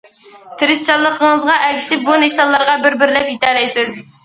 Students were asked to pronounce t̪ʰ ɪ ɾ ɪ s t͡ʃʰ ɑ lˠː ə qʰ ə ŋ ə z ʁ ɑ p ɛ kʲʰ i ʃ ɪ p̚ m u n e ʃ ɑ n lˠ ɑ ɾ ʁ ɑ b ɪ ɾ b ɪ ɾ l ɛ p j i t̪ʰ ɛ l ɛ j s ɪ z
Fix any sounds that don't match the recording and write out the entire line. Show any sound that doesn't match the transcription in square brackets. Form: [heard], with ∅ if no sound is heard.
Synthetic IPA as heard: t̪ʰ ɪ ɾ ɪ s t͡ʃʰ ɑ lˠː ə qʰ ə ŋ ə z ʁ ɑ [ʔ] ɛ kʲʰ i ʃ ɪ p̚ [b] u n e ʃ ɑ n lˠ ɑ ɾ ʁ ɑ b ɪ ɾ b ɪ ɾ l ɛ p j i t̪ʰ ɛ l ɛ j s ɪ z